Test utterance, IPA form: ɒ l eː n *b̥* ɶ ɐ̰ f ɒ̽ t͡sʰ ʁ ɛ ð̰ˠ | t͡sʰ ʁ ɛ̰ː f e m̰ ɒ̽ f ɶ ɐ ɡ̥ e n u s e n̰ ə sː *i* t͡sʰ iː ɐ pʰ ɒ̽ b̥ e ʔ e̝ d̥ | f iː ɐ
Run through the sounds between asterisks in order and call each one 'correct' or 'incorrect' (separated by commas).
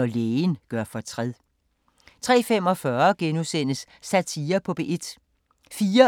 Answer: incorrect, incorrect